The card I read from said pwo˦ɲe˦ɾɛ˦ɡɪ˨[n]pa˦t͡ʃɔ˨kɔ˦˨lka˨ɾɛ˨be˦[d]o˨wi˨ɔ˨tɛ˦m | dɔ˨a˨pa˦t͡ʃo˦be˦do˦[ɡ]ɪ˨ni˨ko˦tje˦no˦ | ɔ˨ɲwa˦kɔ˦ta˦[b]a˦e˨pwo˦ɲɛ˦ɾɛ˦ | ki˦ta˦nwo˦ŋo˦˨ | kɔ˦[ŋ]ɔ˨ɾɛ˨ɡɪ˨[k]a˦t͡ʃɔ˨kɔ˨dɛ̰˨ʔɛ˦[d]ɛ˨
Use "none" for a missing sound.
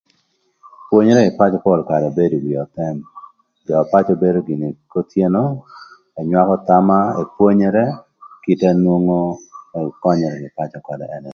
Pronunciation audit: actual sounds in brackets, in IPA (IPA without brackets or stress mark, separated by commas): none, d, ɡ, m, ɲ, p, n